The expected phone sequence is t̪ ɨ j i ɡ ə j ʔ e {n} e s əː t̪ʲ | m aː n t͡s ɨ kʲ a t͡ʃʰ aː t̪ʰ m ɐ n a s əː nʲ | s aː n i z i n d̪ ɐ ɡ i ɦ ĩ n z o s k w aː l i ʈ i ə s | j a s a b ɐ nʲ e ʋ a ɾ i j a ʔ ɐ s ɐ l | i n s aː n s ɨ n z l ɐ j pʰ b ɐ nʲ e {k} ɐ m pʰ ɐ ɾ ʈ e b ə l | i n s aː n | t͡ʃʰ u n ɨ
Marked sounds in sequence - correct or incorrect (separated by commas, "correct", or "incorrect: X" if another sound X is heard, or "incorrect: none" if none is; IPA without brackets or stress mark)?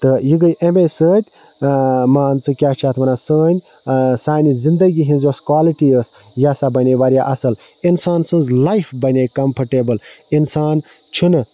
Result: incorrect: m, correct